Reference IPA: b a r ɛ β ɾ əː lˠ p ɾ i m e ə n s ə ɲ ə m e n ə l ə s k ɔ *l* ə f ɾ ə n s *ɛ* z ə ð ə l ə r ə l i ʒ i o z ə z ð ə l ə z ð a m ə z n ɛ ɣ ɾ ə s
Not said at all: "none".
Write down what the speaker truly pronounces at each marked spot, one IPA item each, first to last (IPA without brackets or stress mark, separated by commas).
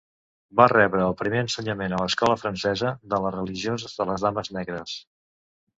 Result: l, ɛ